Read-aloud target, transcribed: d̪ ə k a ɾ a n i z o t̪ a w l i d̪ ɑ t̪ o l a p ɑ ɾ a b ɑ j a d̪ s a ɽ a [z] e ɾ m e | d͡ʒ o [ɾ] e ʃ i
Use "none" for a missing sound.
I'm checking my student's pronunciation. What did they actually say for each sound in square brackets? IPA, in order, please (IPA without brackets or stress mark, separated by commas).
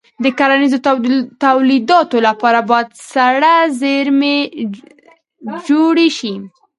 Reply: z, ɽ